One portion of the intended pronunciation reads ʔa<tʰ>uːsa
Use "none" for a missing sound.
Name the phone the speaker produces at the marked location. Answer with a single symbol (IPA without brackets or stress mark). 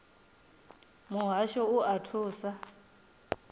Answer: tʰ